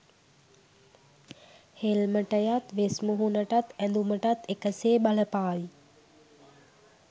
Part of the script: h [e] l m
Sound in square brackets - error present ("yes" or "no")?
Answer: no